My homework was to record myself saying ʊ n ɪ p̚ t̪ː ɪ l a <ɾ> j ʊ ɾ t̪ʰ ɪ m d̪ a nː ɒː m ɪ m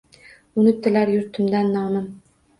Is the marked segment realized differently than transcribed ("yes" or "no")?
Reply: no